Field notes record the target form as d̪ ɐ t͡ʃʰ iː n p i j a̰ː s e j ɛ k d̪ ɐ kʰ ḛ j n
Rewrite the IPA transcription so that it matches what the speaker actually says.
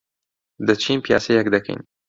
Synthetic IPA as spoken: d̪ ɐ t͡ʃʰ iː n p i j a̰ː s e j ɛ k d̪ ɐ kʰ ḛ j n